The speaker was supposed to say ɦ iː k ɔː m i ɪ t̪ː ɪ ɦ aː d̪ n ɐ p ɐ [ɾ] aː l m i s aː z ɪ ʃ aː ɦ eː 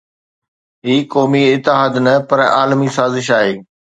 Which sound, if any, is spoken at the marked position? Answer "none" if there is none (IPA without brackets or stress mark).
ɾ